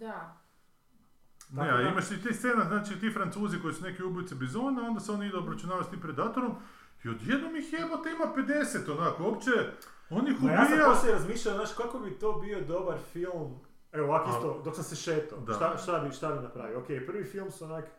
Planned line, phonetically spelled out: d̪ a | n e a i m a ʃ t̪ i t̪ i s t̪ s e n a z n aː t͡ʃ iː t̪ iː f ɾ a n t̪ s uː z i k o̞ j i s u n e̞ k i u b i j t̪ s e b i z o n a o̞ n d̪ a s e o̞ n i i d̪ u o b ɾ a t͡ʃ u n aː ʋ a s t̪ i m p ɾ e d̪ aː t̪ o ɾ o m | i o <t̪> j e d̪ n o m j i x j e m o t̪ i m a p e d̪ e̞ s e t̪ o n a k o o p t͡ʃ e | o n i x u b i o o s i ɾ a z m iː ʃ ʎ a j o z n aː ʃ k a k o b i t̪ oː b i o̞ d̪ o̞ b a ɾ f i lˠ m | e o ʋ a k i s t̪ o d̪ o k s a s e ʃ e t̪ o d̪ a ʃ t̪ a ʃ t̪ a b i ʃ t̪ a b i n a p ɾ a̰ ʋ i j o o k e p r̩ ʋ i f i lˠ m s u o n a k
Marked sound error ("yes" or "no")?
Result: yes